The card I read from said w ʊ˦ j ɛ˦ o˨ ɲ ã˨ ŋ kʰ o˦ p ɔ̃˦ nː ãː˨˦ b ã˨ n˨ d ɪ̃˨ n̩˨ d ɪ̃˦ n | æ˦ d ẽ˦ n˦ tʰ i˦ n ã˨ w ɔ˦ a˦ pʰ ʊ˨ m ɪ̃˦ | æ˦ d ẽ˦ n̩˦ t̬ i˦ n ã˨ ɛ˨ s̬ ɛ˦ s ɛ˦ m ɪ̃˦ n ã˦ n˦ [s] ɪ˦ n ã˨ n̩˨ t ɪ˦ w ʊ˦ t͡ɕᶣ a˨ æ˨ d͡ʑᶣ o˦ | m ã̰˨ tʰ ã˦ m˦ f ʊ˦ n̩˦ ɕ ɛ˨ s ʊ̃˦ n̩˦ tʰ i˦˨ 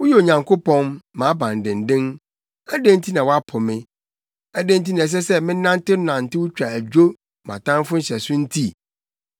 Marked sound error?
yes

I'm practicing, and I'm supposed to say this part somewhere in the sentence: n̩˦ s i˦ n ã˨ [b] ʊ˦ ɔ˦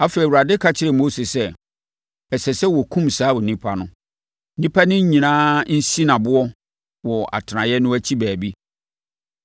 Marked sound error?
no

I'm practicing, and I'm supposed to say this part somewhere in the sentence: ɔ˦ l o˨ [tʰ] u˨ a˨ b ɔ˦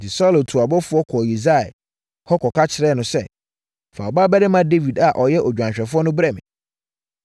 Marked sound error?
no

